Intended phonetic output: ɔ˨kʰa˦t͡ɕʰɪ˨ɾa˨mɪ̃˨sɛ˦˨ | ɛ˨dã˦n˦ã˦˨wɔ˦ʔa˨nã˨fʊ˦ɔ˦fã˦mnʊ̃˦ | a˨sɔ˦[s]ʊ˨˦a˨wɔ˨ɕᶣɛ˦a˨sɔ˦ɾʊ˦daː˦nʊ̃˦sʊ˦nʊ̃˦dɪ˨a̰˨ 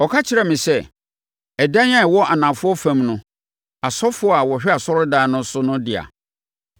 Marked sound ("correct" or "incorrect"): incorrect